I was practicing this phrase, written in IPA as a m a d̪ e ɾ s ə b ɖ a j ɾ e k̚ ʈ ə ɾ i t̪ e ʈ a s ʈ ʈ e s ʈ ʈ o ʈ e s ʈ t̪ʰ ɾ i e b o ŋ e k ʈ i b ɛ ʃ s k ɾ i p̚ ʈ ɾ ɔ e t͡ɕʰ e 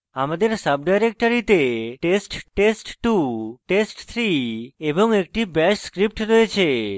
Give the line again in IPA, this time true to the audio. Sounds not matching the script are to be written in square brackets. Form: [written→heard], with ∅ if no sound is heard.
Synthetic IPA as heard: a m a d̪ e ɾ s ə b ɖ a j ɾ e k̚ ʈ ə ɾ i t̪ e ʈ [a→e] s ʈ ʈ e s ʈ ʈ [o→u] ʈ e s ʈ t̪ʰ ɾ i e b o ŋ e k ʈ i b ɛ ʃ s k ɾ i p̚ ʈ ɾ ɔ e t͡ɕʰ e